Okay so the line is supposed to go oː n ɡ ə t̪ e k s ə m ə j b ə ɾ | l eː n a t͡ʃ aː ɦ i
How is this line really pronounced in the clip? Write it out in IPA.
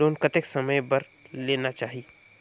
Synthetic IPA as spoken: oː n k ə t̪ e k s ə m ə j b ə ɾ | l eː n a t͡ʃ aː ɦ i